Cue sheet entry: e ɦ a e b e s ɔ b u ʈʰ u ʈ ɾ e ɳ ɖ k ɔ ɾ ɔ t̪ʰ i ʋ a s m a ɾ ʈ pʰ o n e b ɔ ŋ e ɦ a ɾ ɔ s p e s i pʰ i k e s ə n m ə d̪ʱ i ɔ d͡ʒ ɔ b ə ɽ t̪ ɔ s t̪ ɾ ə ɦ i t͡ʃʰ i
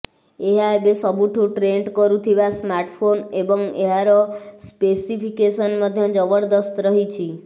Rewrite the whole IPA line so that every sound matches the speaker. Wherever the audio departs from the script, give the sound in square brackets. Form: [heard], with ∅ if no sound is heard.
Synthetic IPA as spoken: e ɦ a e b e s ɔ b u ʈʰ u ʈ ɾ e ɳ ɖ k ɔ ɾ [u] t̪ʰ i ʋ a s m a ɾ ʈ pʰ o n e b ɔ ŋ e ɦ a ɾ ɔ s p e s i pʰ i k e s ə n m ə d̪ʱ [j] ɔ d͡ʒ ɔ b ə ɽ [d̪] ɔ s t̪ ɾ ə ɦ i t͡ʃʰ i